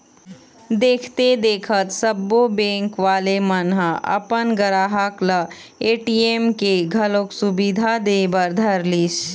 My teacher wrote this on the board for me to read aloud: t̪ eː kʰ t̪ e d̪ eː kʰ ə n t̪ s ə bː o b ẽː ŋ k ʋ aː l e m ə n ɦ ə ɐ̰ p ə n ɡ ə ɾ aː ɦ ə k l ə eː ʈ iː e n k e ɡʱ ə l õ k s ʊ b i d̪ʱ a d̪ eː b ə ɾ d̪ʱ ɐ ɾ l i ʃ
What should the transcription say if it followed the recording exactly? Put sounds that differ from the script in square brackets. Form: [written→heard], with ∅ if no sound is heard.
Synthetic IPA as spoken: [t̪→d̪] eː kʰ t̪ e d̪ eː kʰ ə [n→∅] t̪ s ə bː o b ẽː ŋ k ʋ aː l e m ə n ɦ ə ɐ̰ p ə n ɡ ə ɾ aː ɦ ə k l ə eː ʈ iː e [n→m] k e ɡʱ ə l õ k s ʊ b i d̪ʱ a d̪ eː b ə ɾ d̪ʱ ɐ ɾ l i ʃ